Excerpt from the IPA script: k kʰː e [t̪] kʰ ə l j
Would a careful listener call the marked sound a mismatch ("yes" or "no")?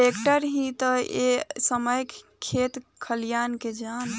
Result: no